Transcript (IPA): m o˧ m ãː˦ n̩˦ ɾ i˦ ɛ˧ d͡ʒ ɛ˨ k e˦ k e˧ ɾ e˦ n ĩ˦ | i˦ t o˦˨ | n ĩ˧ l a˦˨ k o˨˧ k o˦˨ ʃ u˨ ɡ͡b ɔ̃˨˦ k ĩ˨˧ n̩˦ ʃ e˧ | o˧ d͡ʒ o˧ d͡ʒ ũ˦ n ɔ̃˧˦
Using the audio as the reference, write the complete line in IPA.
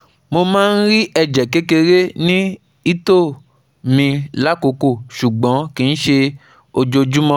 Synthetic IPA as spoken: m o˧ m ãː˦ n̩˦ ɾ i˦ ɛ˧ d͡ʒ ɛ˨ k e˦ k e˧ ɾ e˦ n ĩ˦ | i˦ t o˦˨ | m ĩ˧ l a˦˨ k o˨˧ k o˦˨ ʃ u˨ ɡ͡b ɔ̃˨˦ k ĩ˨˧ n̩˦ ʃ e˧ | o˧ d͡ʒ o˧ d͡ʒ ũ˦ m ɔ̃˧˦